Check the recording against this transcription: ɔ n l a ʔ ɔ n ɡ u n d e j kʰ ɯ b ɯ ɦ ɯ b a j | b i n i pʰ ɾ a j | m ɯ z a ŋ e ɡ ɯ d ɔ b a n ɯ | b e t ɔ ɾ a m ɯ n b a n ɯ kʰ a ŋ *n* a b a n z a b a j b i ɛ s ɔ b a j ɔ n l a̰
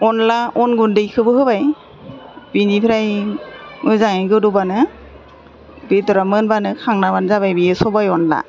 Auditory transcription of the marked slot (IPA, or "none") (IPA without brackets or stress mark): n